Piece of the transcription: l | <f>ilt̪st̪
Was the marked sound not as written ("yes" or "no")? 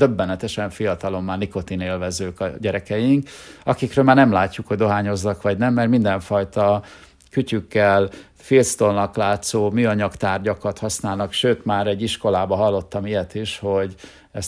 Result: no